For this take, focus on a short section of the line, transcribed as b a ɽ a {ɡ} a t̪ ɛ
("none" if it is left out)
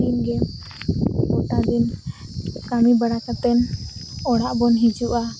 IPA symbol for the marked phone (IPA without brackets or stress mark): k